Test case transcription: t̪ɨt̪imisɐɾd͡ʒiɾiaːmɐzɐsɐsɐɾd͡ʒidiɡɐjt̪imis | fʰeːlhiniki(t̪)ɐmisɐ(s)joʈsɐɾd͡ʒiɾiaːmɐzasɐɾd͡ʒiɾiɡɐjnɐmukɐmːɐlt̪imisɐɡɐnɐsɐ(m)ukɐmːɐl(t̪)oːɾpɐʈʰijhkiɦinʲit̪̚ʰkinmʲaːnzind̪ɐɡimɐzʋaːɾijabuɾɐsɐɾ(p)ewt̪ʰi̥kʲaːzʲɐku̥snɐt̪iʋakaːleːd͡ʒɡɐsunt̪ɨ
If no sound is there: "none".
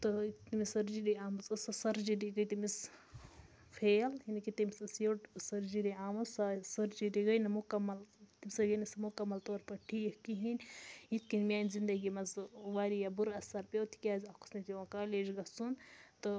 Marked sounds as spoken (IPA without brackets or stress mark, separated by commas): t̪, s, m, t̪, p